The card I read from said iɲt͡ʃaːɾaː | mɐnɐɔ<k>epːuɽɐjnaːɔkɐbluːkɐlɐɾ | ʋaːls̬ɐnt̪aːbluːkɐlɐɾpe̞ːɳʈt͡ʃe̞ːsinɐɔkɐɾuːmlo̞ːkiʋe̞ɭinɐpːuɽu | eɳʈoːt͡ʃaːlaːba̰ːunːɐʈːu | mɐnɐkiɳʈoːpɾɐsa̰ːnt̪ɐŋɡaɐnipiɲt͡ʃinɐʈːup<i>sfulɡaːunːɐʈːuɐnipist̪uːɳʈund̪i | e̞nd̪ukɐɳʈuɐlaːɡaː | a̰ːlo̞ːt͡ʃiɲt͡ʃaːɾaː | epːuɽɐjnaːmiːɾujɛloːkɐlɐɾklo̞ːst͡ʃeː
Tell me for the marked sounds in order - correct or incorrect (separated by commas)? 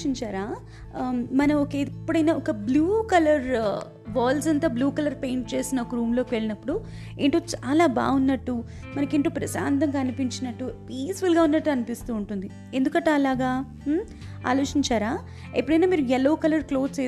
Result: correct, incorrect